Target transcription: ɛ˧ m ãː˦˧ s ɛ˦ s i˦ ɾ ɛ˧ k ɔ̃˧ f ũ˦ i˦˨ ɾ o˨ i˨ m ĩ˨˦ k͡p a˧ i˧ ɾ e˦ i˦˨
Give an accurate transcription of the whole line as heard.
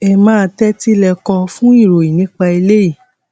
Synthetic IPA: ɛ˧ m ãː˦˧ t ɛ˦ t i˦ l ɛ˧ k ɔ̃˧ f ũ˦ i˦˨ ɾ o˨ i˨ n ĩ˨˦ k͡p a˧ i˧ l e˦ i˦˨